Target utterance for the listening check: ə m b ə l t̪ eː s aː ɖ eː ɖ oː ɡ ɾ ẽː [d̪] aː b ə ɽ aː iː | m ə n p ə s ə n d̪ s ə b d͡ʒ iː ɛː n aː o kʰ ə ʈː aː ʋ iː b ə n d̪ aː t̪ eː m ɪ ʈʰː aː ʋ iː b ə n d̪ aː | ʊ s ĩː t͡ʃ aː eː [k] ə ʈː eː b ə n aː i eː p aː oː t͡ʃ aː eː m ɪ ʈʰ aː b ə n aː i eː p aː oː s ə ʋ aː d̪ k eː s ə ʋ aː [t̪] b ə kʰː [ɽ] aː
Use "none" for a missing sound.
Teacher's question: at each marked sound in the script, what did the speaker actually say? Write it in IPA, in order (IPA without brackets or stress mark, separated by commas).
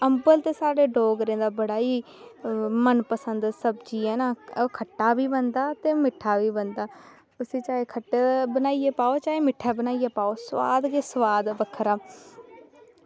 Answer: d̪, kʰ, d̪, ɾ